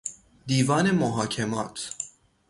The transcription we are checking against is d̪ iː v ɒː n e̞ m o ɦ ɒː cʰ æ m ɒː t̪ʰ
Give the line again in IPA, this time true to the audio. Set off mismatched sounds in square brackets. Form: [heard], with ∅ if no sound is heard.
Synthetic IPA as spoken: d̪ iː v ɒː n e̞ m o ɦ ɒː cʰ [e] m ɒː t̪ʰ